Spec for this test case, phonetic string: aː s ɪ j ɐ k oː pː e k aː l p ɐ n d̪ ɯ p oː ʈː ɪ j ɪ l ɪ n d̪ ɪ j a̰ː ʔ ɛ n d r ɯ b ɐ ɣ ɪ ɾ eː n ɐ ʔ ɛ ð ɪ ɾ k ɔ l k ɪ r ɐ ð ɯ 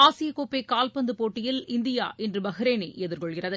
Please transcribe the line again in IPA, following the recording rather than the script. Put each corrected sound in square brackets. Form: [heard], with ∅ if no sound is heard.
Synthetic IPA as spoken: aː s ɪ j ɐ k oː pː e k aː l p ɐ n d̪ ɯ p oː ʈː ɪ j ɪ l ɪ n d̪ ɪ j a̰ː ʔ ɛ n d r ɯ b ɐ ɣ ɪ ɾ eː n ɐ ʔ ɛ ð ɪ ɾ k ɔ [ɭ] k ɪ r ɐ ð ɯ